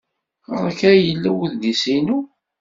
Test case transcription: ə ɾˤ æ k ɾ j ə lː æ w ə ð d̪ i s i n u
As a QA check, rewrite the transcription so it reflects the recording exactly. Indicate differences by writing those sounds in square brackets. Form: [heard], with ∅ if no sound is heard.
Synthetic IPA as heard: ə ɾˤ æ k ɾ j ə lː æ w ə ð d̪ i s i n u